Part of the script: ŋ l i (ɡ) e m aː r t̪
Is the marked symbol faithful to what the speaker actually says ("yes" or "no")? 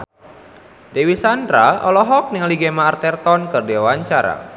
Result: yes